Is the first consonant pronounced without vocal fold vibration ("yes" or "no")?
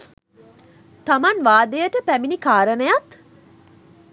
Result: yes